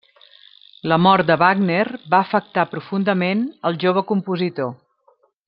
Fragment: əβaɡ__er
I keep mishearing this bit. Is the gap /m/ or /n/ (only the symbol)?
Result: n